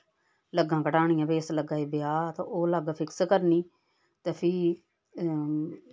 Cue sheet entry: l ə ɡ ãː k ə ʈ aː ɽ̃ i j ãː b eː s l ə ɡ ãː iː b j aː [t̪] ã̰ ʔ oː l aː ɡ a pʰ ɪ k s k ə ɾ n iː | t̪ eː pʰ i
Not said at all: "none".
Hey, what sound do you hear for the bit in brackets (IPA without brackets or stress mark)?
t̪